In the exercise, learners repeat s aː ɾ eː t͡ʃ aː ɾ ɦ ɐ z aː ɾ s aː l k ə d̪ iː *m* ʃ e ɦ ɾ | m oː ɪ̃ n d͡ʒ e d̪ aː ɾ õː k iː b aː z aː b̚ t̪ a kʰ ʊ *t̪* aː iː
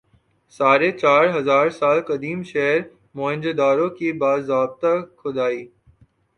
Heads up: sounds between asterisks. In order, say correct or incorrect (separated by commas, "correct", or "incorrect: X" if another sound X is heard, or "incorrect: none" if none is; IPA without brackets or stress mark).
correct, incorrect: d̪